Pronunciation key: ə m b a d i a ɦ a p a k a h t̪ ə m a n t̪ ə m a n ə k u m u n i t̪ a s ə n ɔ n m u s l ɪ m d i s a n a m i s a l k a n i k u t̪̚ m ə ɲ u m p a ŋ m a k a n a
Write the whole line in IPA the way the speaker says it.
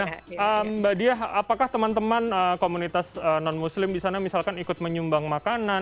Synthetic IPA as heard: ə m b a d i a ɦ a p a k a h t̪ ə m a n t̪ ə m a n ə k o m u n i t̪ a s ə n ɔ n m u s l ɪ m d i s a n a m i s a l k a n i k ʊ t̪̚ m ə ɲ u m b a ŋ m a k a n a